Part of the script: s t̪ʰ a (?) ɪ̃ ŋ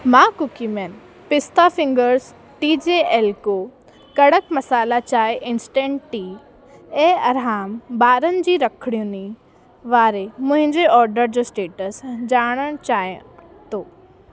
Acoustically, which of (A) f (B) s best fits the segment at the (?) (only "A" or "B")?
A